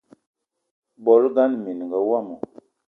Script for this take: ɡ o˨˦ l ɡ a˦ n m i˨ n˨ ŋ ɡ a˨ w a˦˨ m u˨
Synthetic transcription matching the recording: b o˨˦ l ɡ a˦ n m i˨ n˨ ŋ ɡ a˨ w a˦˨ m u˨